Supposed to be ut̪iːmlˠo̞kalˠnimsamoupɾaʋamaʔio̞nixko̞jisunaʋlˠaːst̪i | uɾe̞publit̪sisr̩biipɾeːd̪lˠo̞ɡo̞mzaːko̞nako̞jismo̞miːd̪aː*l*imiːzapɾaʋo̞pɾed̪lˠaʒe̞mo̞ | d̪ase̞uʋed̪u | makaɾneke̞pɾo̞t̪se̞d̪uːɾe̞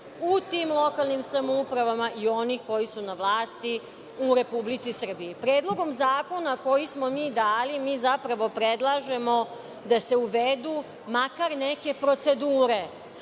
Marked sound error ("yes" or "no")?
no